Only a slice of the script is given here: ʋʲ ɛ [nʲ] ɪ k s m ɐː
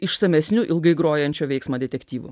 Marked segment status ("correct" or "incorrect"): incorrect